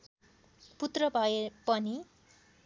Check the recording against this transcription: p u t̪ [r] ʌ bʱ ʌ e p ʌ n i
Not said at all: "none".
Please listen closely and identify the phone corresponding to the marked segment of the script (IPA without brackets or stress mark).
r